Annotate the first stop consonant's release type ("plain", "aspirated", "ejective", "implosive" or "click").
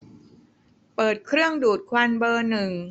plain